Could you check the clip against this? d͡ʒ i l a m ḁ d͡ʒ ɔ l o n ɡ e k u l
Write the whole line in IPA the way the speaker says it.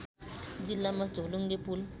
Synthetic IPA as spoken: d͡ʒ i l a m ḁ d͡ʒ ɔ l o ŋ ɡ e p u l